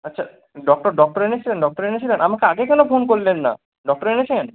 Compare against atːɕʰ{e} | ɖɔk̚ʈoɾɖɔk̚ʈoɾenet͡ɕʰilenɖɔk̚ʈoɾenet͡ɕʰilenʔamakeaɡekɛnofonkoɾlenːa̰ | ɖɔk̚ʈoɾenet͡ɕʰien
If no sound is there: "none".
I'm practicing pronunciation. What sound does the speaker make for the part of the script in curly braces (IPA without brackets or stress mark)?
a